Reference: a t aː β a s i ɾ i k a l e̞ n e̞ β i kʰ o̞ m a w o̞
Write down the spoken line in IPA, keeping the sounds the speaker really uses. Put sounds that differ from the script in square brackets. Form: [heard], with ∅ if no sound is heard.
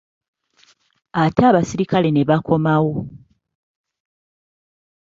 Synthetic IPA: a t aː β a s i ɾ i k a l e̞ n e̞ β [a] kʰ o̞ m a w o̞

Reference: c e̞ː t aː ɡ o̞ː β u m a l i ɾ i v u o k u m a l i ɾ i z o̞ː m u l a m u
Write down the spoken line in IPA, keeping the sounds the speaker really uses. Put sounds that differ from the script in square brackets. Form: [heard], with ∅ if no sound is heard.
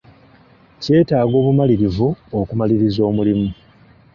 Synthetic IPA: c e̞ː t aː ɡ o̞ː β u m a l i ɾ i v u o k u m a l i ɾ i z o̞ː m u l [i] m u

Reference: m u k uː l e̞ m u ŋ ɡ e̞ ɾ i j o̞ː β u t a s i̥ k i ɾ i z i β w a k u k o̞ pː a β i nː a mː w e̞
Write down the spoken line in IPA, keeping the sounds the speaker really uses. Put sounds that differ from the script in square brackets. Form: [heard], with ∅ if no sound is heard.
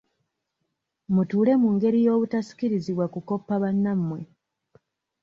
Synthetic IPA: m u [t] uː l e̞ m u ŋ ɡ e̞ ɾ i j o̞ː β u t a s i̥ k i ɾ i z i β w a k u k o̞ pː a β [a] nː a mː w e̞

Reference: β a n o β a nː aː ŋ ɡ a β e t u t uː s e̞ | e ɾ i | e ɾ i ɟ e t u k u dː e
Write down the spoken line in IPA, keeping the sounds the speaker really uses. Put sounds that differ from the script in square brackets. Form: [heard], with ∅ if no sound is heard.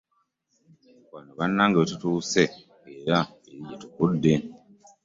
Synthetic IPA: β a n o β a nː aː ŋ ɡ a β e t u t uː s e̞ | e ɾ [a] | e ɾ i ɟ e t u k u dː e

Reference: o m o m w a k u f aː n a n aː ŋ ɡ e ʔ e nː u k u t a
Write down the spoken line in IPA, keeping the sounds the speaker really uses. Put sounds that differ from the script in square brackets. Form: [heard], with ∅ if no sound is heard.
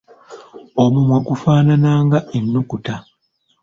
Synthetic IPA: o m [u] m w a k u f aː n a n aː ŋ ɡ [a] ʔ e nː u k u t a

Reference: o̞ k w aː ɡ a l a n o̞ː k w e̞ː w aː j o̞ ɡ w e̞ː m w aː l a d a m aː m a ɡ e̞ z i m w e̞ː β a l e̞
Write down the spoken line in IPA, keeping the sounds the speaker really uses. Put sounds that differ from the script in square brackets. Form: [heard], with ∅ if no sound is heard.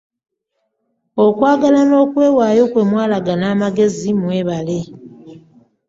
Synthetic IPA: o̞ k w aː ɡ a l a n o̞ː k w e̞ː w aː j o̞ [k] w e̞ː m w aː l a [ɡ] a [n] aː m a ɡ e̞ z i m w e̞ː β a l e̞

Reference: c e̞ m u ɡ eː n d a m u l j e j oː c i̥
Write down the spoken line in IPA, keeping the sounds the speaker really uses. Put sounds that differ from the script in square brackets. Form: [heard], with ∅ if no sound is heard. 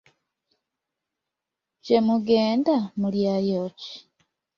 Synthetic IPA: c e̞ m u ɡ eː n d a m u l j [a] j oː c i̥

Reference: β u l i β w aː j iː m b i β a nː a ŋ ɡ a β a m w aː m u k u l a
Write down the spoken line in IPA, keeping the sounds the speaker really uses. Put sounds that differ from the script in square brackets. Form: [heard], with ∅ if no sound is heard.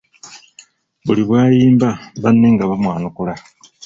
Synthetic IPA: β u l i β w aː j iː m b [a] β a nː [e] ŋ ɡ a β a m w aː [n] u k u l a

